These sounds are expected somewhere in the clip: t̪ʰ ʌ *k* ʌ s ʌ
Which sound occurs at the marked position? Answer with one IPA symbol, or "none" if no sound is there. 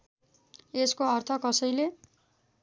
k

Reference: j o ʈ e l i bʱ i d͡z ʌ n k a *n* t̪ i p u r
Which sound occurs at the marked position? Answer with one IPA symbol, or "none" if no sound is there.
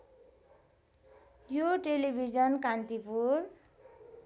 n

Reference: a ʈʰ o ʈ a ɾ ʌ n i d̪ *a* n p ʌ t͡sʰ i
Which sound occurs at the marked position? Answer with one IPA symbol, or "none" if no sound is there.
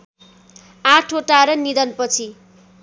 ʌ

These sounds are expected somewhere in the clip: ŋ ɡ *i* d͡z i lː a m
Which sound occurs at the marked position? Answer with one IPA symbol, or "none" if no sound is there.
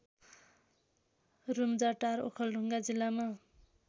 a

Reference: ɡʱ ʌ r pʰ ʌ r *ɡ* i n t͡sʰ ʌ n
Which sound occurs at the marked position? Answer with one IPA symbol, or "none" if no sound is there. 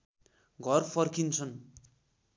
k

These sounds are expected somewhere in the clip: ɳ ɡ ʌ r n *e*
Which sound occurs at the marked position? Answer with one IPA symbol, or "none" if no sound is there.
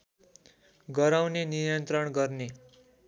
e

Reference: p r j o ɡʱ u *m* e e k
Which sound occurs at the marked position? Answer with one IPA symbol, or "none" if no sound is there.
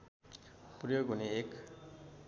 n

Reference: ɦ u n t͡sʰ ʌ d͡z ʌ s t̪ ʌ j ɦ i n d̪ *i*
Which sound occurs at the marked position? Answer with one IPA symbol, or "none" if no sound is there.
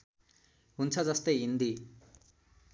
i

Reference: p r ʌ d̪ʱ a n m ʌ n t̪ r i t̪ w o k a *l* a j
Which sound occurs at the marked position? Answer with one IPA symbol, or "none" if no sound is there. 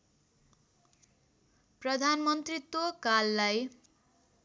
lː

